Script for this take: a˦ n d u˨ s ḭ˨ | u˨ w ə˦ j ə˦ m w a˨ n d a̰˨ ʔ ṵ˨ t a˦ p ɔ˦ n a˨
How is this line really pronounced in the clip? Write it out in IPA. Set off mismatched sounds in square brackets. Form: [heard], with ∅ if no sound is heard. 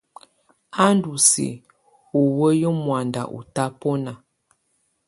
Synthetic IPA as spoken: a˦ n d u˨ s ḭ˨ | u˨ w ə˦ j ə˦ m w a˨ n d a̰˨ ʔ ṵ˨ t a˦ p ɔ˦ n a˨